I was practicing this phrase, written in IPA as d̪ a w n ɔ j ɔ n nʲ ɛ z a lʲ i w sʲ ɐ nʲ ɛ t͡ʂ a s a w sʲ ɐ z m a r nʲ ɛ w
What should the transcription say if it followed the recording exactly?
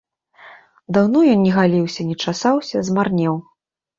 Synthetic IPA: d̪ a w n ɔ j ɔ n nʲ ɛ ɣ a lʲ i w sʲ ɐ nʲ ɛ t͡ʂ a s a w sʲ ɐ z m a r nʲ ɛ w